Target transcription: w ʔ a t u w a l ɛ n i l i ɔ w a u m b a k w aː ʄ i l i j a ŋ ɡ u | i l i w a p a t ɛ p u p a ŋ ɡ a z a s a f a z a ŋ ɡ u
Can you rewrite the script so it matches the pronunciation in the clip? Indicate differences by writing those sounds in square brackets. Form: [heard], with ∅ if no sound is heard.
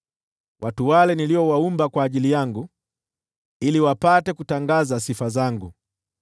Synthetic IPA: w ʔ a t u w a l ɛ n i l i ɔ w a u m b a k w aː ʄ i l i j a ŋ ɡ u | i l i w a p a t ɛ [k] u [t] a ŋ ɡ a z a s [i] f a z a ŋ ɡ u